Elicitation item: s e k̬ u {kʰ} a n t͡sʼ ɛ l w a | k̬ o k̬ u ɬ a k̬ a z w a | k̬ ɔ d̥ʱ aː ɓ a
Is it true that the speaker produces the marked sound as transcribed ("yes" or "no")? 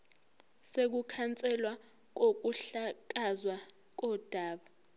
yes